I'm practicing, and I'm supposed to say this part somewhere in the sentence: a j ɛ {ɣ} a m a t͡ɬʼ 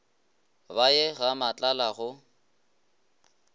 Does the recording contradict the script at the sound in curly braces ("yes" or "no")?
no